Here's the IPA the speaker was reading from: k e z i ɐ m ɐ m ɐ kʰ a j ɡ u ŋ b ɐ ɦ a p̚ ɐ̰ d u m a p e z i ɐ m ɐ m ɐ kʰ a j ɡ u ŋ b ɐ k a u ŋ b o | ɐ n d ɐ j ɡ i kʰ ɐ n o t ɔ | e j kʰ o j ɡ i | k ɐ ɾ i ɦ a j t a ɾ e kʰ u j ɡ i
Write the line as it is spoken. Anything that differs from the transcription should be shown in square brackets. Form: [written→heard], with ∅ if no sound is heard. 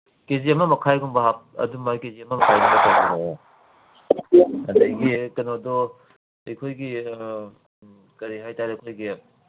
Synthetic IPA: k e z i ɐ m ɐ m ɐ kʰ a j ɡ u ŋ b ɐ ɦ a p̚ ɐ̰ d u m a [p→k] e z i ɐ m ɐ m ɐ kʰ a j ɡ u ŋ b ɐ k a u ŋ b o | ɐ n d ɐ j ɡ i [kʰ→k] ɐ n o [t→d] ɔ | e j kʰ o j ɡ i | k ɐ ɾ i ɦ a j t a ɾ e kʰ [u→o] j ɡ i